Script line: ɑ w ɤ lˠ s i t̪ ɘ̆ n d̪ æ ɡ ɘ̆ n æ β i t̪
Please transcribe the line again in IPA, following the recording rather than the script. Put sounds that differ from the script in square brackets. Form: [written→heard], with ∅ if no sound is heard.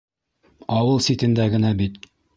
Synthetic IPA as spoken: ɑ w ɤ lˠ s i t̪ ɘ̆ n d̪ æ ɡ ɘ̆ n æ [β→b] i t̪